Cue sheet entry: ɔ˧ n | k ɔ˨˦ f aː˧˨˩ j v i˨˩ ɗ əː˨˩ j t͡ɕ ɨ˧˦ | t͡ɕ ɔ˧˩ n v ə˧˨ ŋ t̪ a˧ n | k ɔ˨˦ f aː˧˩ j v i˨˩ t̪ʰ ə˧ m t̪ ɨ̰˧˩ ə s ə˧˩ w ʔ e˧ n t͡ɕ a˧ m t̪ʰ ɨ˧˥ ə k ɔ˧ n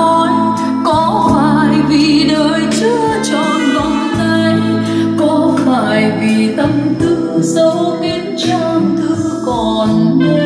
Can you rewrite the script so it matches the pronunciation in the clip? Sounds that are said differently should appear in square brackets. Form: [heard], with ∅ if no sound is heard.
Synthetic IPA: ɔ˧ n | k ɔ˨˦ f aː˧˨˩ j v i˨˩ ɗ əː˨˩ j t͡ɕ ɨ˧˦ | t͡ɕ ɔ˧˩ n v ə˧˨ [ŋ͡m] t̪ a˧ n | k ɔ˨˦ f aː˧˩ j v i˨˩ [t̪] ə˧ m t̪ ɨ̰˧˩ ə s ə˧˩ w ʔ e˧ n t͡ɕ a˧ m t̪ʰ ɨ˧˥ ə k [ɔ˨˩] n